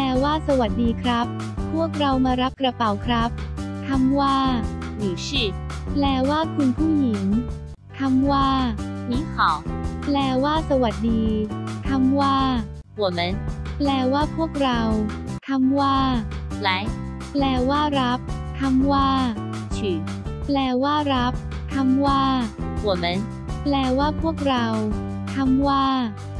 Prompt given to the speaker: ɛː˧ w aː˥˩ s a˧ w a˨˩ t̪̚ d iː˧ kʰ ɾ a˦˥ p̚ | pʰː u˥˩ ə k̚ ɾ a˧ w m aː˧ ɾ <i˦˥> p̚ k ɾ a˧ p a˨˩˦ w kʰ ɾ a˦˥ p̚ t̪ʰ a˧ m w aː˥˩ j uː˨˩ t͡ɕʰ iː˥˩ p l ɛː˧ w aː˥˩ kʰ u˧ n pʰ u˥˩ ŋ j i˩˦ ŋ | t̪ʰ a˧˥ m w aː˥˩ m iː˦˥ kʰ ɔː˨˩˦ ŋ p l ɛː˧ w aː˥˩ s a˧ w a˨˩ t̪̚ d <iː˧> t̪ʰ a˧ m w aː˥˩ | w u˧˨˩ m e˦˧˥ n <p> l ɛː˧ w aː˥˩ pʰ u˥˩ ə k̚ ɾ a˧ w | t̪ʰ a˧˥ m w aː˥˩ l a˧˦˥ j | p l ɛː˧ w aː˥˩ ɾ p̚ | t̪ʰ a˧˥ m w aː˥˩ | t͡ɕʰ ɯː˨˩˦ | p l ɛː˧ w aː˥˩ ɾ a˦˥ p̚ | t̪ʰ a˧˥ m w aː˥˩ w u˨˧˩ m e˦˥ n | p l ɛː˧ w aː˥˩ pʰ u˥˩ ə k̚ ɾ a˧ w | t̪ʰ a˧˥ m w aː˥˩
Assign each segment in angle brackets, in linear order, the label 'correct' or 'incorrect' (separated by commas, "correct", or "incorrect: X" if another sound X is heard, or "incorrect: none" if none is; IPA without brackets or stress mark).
incorrect: a˦˥, correct, correct